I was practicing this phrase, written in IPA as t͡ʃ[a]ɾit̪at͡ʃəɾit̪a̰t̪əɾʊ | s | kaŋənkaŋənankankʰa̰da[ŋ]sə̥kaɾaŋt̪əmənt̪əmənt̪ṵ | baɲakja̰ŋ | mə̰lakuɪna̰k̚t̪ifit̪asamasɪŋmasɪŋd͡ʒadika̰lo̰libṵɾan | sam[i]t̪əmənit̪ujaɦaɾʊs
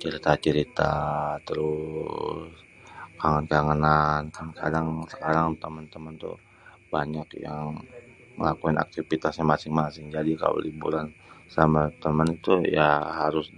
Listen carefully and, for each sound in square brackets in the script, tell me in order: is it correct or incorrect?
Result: incorrect: ə, correct, incorrect: a

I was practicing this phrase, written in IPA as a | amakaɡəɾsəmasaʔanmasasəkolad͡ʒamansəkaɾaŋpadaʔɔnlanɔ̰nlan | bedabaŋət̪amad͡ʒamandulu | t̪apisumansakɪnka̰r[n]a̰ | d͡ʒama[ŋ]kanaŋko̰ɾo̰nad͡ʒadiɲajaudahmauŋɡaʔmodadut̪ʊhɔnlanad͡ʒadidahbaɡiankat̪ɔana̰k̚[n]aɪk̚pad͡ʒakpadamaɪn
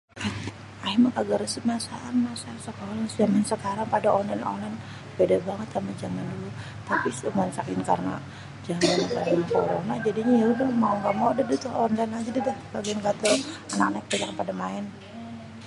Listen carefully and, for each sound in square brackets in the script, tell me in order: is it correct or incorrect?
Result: correct, incorrect: n, correct

